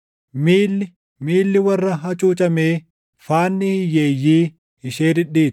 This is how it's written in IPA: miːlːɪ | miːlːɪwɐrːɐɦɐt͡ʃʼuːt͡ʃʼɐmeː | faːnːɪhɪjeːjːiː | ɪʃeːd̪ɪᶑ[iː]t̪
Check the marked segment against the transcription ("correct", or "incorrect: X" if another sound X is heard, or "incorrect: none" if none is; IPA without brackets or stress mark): correct